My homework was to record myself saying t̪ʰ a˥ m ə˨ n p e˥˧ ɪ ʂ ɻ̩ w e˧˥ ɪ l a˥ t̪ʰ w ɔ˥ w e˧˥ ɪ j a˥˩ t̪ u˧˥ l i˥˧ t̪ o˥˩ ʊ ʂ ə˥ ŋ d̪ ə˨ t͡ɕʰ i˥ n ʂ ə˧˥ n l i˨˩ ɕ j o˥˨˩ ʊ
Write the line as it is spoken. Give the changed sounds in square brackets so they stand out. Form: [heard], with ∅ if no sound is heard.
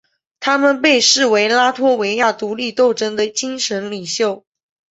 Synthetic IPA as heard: t̪ʰ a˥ m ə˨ n p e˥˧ ɪ ʂ ɻ̩ w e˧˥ ɪ l a˥ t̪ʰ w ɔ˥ w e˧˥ ɪ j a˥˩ t̪ u˧˥ l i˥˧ t̪ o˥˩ ʊ [ʈ͡ʂ] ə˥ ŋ d̪ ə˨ [t͡ɕ] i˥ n ʂ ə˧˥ n l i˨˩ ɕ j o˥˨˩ ʊ